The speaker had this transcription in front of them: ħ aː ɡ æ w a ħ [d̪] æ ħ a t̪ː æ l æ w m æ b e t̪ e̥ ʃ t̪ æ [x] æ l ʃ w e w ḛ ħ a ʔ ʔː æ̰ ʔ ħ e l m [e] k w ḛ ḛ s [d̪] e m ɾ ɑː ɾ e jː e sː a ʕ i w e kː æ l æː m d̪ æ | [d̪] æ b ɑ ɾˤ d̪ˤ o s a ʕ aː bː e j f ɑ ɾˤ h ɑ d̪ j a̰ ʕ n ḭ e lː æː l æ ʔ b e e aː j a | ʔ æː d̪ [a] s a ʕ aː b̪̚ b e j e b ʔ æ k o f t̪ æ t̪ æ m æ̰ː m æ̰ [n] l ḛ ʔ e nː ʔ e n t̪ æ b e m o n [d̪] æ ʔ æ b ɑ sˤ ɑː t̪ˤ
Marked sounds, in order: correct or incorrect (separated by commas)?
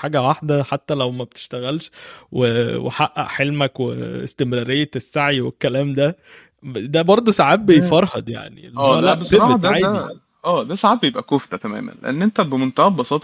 correct, incorrect, incorrect, incorrect, correct, incorrect, correct, incorrect